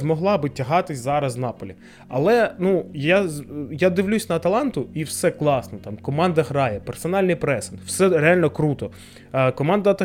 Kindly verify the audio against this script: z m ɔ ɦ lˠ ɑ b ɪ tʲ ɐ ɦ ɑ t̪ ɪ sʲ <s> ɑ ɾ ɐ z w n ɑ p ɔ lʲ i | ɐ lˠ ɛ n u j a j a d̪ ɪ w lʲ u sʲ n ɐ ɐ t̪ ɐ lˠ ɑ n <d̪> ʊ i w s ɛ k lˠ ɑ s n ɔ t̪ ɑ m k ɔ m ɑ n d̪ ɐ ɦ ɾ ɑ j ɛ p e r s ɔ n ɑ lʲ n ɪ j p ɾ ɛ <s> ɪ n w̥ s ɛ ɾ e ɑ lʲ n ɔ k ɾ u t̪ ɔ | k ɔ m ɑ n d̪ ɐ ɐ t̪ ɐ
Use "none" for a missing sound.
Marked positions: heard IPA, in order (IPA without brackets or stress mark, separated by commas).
z, t̪, s